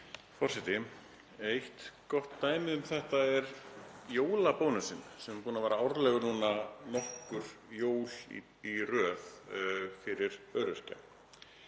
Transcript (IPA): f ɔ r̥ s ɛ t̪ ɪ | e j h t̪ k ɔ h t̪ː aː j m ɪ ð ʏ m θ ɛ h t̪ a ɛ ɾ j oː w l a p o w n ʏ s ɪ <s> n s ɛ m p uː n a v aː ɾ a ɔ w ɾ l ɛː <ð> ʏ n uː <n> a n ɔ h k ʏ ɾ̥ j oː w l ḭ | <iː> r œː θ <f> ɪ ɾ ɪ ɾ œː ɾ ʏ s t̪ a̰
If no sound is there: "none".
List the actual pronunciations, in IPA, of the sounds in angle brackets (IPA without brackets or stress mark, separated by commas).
none, ɣ, n, i, f